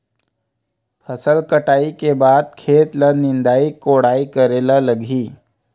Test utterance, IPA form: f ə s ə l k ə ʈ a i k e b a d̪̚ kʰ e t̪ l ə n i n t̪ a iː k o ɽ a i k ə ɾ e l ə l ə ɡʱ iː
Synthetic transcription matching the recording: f ə s ə l k ə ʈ a i k e b a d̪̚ kʰ e t̪ l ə n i n d̪ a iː k o ɽ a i k ə ɾ e l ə l ə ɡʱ iː